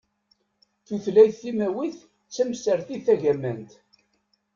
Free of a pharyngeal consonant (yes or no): yes